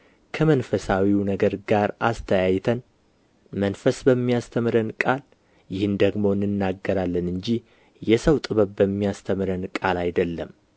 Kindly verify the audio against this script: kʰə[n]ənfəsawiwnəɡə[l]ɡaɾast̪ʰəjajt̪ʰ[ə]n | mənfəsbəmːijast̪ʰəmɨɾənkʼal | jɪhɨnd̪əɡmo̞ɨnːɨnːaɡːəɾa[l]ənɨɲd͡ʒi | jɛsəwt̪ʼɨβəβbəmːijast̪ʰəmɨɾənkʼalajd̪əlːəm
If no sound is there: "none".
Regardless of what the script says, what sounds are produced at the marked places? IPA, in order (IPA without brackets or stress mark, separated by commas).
m, ɾ, ə, lː